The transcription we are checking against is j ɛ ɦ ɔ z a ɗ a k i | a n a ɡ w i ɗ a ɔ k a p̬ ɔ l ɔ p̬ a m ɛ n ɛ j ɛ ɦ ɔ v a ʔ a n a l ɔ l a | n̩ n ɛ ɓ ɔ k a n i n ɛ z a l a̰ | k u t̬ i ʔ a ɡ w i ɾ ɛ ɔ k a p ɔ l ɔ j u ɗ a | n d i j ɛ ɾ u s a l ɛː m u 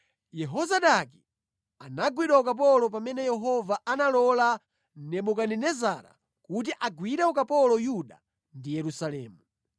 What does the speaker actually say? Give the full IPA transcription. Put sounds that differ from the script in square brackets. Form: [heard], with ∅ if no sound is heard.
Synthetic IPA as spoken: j ɛ ɦ ɔ z a ɗ a k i | a n a ɡ w i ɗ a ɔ k a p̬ ɔ l ɔ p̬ a m ɛ n ɛ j ɛ ɦ ɔ v a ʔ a n a l ɔ l a | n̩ n ɛ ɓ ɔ k a n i n ɛ z a [ɾ] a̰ | k u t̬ i ʔ a ɡ w i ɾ ɛ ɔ k a p ɔ l ɔ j u ɗ a | n d i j ɛ ɾ u s a l ɛː m u

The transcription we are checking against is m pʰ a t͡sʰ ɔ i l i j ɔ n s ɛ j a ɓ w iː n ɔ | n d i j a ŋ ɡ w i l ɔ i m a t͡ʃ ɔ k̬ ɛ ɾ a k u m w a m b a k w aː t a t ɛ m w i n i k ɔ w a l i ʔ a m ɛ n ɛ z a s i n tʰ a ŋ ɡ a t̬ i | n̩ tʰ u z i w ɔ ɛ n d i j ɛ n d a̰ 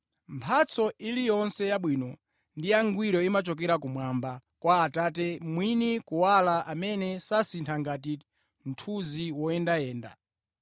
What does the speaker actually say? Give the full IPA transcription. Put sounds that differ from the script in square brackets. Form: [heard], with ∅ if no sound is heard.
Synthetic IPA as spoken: m pʰ a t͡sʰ ɔ i l i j ɔ n s ɛ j a ɓ w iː n ɔ | n d i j a ŋ ɡ w i [ɾ] ɔ i m a t͡ʃ ɔ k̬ ɛ ɾ a k u m w a m b a k w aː t a t ɛ m w i n i k [u] w a l [a] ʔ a m ɛ n ɛ [s] a s i n tʰ a ŋ ɡ a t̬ i | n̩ tʰ u z i w ɔ ɛ n d [a] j [ɛː] n d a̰

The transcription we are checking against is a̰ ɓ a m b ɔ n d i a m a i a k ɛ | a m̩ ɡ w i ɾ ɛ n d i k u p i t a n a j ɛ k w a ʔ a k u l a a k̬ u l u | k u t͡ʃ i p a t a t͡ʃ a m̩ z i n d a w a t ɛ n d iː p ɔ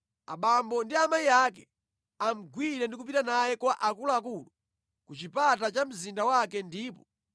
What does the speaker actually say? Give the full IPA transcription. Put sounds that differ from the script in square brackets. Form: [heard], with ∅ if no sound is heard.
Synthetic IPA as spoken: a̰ ɓ a m b ɔ n d i a m a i a k ɛ | a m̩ ɡ w i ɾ ɛ n d i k u p i t a n a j ɛ k w a ʔ a k u l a a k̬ u l u | k u t͡ʃ i p a t a t͡ʃ a m̩ z i n d a w a [k] ɛ n d iː p ɔ

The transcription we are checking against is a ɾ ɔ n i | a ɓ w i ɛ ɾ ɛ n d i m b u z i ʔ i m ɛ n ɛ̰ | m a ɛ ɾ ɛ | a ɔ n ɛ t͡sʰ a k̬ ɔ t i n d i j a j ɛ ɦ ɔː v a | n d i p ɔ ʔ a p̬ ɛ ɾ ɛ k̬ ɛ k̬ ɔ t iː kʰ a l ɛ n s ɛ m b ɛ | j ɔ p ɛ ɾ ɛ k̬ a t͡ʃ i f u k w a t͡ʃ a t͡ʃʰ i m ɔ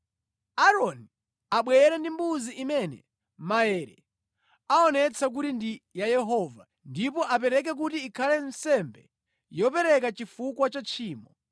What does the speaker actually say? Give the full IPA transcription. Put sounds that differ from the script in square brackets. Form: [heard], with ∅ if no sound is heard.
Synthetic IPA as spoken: a ɾ ɔ n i | a ɓ w [ɛ] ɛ ɾ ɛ n d i m b u z i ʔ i m ɛ n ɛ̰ | m a ɛ ɾ ɛ | a ɔ n ɛ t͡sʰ a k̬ [u] t i n d i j a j ɛ ɦ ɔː v a | n d i p ɔ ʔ a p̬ ɛ ɾ ɛ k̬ ɛ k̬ [u] t iː kʰ a l ɛ n s ɛ m b ɛ | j ɔ p ɛ ɾ ɛ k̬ a t͡ʃ i f u k w a t͡ʃ a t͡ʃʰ [iː] m ɔ

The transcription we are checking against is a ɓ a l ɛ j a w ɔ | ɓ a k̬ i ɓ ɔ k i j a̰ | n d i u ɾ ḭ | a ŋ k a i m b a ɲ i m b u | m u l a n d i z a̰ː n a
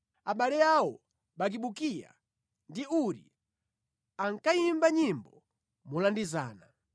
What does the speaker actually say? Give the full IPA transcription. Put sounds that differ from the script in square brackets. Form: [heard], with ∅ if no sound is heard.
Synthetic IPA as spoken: a ɓ a l ɛ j a w ɔ | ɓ a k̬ i ɓ [u] k i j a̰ | n d i u ɾ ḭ | a ŋ k a i m b a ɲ i m b [ɔ] | m u l a n d i z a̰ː n a

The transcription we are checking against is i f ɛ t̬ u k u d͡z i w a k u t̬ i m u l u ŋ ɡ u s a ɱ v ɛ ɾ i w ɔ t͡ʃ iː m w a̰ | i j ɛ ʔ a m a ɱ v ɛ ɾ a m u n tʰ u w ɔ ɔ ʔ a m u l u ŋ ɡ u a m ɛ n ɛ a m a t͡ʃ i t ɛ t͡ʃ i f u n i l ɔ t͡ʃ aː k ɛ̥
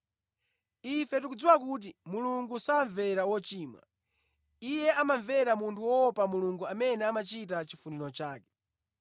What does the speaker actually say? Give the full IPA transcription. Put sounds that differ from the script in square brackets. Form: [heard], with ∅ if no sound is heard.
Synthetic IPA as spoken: i f ɛ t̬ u k u d͡z i w a k u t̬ i m u l u ŋ ɡ u s a ɱ v ɛ ɾ [a] w ɔ t͡ʃ iː m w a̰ | i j ɛ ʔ a m a ɱ v ɛ ɾ a m u n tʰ u w ɔ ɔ [p] a m u l u ŋ ɡ u a m ɛ n ɛ a m a t͡ʃ i t [a] t͡ʃ i f u n i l ɔ t͡ʃ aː k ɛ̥

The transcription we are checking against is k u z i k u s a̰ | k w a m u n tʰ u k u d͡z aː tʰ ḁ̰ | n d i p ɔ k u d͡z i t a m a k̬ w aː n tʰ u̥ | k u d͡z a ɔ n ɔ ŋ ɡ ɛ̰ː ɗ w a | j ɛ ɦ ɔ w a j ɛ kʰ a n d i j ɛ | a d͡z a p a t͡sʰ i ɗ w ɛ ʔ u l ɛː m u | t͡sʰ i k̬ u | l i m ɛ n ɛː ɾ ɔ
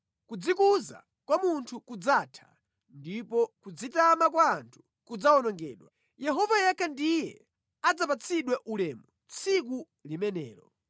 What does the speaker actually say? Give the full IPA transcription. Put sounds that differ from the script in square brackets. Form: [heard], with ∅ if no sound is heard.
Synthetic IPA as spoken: k u [d͡z] i k u [z] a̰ | k w a m u n tʰ u k u d͡z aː tʰ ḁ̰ | n d i p ɔ k u d͡z i t a m a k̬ w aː n tʰ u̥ | k u d͡z a ɔ n ɔ ŋ ɡ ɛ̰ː ɗ w a | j ɛ ɦ ɔ [v] a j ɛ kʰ a n d i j ɛ | a d͡z a p a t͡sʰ i ɗ w ɛ ʔ u l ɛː m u | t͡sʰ i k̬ u | l i m ɛ n ɛː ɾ ɔ

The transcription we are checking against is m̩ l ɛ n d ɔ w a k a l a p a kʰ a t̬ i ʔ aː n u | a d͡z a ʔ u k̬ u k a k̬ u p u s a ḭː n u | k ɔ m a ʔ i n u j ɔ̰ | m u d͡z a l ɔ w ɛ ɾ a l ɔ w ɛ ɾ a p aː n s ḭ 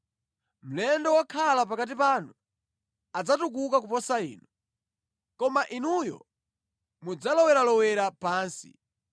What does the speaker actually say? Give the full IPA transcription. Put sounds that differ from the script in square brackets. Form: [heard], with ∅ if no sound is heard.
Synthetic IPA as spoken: m̩ l ɛ n d ɔ w a [kʰ] a l a p a [k] a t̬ i [p] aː n u | a d͡z a [t] u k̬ u k a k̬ u p [ɔ] s a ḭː n u | k ɔ m a ʔ i n u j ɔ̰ | m u d͡z a l ɔ w ɛ ɾ a l ɔ w ɛ ɾ a p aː n s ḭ

